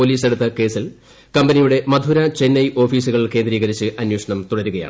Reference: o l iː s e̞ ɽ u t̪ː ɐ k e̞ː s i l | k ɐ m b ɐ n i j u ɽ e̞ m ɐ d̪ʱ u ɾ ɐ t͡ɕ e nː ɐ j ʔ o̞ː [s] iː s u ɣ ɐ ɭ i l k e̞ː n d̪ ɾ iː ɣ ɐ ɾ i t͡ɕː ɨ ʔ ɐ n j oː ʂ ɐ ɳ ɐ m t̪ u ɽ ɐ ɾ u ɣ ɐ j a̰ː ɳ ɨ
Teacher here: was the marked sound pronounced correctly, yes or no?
no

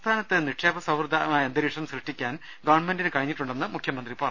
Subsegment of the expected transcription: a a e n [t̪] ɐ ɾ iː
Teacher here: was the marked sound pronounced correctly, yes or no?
no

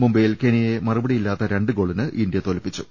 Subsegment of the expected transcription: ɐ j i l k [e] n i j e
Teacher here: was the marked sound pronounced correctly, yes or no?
yes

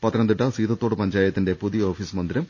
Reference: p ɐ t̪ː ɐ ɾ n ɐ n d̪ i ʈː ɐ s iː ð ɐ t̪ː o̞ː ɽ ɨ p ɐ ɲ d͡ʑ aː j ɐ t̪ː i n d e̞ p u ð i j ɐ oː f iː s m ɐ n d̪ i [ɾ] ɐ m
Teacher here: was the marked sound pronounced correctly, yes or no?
yes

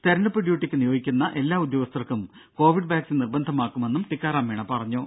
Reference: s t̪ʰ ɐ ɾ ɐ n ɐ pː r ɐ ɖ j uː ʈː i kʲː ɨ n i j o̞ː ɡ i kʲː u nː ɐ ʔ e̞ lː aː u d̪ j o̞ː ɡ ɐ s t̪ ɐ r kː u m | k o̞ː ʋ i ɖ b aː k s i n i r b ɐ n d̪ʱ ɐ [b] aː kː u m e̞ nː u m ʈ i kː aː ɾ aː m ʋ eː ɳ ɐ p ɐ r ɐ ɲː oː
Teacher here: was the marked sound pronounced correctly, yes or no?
no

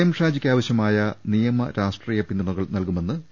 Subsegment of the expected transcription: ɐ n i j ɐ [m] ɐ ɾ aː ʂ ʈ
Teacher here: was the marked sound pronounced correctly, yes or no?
yes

